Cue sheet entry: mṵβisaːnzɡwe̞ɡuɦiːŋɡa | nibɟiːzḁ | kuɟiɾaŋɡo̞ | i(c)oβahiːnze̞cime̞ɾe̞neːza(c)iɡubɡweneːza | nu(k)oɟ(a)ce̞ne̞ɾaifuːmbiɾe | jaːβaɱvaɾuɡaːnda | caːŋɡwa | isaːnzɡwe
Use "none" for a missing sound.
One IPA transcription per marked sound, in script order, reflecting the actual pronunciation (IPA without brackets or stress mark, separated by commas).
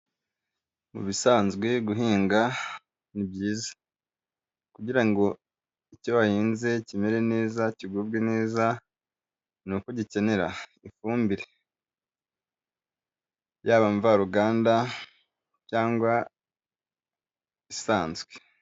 c, c, k, i